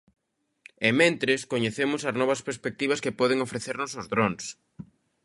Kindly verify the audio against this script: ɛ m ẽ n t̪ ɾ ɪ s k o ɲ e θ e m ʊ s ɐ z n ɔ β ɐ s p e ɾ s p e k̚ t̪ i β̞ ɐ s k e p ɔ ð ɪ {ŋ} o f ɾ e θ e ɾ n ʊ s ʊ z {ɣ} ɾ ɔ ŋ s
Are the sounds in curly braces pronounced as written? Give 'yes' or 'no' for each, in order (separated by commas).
yes, no